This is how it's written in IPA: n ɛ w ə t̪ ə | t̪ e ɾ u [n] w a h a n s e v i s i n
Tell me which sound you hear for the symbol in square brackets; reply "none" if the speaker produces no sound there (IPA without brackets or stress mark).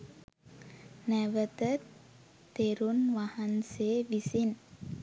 n